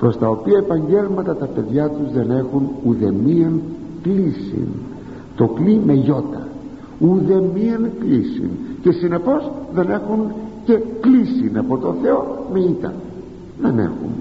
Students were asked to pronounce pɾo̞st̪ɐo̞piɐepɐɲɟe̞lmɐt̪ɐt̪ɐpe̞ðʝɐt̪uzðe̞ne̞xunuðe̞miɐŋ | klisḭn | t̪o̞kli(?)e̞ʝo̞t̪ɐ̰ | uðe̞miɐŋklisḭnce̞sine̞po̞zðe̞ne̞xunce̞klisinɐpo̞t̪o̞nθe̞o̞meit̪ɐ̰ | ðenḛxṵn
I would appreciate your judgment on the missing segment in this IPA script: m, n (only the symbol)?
m